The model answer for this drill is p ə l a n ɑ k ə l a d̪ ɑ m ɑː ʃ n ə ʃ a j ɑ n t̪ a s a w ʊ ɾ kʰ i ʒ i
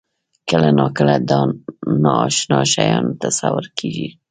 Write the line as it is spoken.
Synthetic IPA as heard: k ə l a n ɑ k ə l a d̪ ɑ n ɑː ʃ n ɑ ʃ a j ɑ n t̪ a s a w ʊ ɾ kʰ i ʒ i